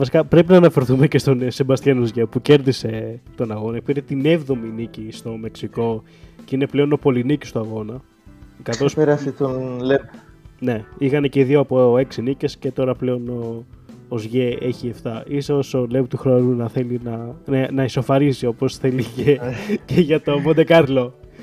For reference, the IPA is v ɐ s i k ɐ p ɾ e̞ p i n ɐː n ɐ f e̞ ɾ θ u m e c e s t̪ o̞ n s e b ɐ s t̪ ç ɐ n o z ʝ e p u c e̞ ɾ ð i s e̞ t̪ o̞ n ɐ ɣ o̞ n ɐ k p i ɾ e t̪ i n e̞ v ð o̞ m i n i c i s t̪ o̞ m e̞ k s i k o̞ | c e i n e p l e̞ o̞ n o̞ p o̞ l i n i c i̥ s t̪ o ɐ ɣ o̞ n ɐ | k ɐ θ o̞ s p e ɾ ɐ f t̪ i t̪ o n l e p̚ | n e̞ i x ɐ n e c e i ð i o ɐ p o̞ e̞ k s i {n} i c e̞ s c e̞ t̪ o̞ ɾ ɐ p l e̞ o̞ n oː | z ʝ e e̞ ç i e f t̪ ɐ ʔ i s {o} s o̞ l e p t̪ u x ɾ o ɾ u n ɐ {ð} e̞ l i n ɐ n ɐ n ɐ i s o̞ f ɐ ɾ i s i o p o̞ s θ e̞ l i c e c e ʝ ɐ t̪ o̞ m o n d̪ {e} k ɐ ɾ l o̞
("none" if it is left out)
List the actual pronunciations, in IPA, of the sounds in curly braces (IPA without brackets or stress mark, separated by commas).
n, o, θ, e